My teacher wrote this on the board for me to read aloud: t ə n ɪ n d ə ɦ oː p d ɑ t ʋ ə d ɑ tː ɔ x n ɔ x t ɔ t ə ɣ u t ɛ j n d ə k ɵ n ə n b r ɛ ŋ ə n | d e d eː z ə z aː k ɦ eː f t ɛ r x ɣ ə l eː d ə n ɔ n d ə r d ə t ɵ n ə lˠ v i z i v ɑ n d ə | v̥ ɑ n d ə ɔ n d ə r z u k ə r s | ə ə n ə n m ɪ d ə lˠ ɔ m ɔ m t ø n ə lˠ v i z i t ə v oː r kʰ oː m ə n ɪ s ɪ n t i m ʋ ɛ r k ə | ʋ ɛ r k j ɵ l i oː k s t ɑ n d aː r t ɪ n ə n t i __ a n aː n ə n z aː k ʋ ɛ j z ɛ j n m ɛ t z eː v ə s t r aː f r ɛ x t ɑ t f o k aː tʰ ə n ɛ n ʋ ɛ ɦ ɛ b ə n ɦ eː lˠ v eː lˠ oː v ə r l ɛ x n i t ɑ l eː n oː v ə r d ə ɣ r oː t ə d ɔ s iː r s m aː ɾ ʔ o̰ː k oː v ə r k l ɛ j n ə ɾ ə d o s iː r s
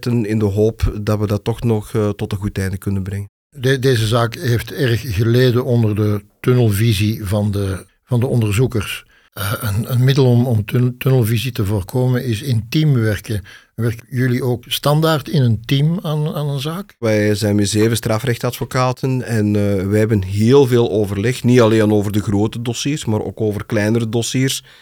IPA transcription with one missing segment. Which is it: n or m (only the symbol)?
m